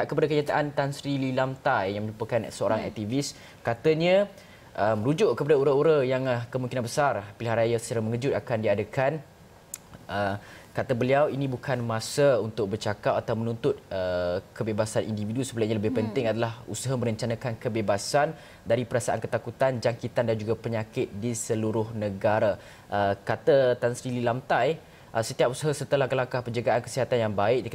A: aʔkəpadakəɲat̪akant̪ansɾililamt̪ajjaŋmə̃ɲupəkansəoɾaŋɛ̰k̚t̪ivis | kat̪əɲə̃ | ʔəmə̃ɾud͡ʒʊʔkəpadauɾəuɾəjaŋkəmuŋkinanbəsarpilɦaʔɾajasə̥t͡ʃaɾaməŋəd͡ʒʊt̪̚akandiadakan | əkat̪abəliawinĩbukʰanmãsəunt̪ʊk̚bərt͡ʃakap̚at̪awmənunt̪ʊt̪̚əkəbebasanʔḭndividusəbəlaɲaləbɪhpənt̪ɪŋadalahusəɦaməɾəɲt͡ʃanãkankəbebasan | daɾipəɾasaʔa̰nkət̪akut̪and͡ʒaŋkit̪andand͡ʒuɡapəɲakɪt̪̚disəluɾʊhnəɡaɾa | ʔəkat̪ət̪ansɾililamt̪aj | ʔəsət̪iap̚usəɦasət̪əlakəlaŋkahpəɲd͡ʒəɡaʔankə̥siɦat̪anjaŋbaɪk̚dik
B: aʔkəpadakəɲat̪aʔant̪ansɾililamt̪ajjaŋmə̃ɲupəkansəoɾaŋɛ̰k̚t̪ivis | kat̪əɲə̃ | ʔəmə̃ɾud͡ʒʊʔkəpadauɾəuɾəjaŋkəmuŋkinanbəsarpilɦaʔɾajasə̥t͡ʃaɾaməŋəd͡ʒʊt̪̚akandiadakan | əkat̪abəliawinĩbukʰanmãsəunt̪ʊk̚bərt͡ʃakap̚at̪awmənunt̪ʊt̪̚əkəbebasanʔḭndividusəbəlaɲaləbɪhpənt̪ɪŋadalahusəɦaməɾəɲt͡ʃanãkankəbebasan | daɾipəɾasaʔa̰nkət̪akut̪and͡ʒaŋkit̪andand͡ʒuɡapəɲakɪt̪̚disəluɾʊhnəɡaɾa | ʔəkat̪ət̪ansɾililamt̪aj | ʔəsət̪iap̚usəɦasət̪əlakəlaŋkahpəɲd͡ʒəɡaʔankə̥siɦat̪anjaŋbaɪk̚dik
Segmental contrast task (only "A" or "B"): B